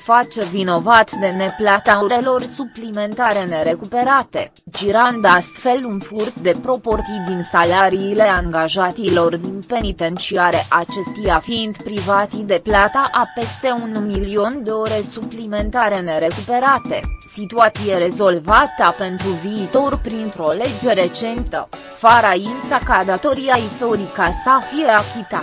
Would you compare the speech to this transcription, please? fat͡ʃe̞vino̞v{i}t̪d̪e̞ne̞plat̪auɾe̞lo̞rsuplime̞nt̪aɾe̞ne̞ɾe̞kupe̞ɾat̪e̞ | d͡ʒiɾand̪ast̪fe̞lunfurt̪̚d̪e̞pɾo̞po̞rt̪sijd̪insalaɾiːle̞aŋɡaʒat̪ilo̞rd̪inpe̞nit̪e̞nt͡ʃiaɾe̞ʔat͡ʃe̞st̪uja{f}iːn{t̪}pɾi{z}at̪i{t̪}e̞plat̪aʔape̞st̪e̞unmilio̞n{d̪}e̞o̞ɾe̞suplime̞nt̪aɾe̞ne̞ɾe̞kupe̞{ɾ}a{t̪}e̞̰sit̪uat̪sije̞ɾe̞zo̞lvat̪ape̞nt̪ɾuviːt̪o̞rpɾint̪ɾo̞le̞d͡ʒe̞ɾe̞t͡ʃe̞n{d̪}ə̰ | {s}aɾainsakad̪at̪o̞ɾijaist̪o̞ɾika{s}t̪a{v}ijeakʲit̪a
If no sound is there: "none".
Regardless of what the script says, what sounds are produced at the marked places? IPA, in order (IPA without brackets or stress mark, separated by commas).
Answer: a, f, d̪, v, d̪, d̪, ɾ, t̪, t̪, f, s, f